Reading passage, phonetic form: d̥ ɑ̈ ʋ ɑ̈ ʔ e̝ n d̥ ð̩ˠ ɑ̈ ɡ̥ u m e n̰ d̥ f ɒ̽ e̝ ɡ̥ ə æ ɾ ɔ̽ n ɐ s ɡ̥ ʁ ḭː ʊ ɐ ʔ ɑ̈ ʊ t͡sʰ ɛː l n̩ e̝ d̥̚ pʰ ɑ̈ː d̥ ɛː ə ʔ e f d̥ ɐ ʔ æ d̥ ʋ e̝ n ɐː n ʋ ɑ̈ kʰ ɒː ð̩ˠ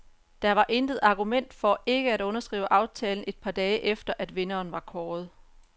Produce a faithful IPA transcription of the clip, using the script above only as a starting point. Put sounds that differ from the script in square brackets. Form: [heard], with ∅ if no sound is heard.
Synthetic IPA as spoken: d̥ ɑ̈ ʋ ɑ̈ ʔ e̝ n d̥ ð̩ˠ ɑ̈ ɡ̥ u m e n̰ d̥ f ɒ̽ e̝ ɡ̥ ə æ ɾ ɔ̽ n ɐ s ɡ̥ ʁ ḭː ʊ [ə] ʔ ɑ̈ ʊ t͡sʰ ɛː l n̩ e̝ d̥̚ pʰ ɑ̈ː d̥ ɛː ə ʔ e f d̥ ɐ ʔ æ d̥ ʋ e̝ n ɐː n ʋ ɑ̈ kʰ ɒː ð̩ˠ